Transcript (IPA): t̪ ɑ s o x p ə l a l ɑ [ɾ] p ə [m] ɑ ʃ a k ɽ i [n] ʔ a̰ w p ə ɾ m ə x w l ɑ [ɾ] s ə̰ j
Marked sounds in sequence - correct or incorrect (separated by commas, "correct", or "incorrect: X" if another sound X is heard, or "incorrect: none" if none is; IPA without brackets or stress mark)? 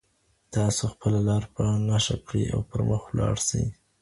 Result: correct, incorrect: n, incorrect: none, incorrect: ɽ